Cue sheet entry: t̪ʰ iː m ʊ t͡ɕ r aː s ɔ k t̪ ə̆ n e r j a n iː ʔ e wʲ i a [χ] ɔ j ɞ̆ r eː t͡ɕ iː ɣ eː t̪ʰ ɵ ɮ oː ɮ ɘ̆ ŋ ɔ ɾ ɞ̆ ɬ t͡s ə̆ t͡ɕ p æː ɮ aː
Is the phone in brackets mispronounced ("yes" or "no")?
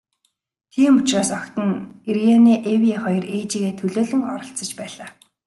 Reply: no